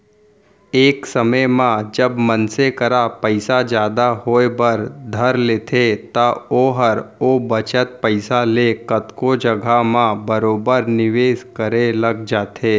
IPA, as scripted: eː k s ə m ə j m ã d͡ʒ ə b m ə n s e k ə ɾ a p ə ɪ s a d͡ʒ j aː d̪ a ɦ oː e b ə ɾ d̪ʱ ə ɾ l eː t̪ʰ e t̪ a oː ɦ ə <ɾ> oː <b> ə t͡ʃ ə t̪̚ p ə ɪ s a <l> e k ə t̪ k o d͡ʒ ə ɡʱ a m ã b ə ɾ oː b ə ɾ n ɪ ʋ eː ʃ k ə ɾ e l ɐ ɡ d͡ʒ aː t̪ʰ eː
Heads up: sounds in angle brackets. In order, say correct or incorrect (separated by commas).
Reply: correct, correct, correct